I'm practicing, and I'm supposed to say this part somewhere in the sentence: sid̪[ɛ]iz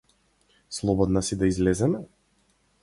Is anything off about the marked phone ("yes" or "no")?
yes